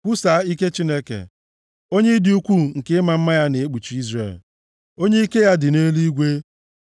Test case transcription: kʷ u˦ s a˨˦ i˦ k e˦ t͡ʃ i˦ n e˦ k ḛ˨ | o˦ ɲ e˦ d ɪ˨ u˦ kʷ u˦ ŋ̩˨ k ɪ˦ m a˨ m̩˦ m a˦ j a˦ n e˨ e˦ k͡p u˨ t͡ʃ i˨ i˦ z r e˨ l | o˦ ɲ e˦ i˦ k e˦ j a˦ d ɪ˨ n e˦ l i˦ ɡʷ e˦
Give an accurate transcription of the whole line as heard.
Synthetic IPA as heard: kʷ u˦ s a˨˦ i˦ k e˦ t͡ʃ i˦ n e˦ k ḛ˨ | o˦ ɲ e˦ d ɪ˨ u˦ kʷ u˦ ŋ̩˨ k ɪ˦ m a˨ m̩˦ m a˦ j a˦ n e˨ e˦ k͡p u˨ t͡ʃ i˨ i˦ z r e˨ l | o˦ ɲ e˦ i˦ k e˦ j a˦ d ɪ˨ n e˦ l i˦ ɡʷ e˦